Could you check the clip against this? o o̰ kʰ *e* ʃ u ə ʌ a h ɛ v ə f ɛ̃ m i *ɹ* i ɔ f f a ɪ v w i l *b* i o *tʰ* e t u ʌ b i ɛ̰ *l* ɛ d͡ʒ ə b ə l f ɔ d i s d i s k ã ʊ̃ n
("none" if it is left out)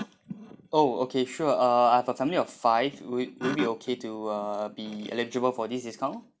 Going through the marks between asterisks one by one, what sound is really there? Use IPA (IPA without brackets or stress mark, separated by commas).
e, l, b, kʰ, l